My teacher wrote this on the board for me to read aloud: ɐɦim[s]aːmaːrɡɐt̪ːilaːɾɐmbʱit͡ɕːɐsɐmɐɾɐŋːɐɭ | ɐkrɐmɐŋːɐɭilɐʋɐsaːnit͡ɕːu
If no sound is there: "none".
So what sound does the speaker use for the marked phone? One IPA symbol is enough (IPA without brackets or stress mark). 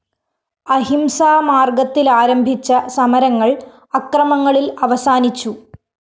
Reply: s